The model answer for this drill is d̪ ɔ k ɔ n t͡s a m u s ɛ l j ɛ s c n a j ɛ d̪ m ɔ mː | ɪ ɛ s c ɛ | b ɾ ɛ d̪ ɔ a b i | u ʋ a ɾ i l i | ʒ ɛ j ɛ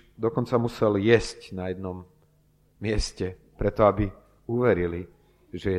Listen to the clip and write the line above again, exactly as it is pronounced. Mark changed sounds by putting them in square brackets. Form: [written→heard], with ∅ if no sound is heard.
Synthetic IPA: d̪ ɔ k ɔ n t͡s a m u s ɛ l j ɛ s c n a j ɛ d̪ [m→n] ɔ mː | ɪ ɛ s c ɛ | [b→p] ɾ ɛ [d̪→t̪] ɔ a b i | u ʋ [a→ɛ] ɾ i l i | ʒ ɛ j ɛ